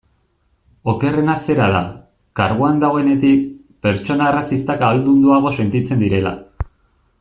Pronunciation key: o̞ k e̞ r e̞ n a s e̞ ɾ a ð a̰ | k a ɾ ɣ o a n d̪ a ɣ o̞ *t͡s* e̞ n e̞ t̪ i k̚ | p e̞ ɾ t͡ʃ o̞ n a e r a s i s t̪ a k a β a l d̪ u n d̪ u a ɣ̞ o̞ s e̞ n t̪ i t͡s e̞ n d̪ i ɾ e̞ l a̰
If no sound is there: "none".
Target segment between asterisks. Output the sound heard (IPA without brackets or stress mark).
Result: none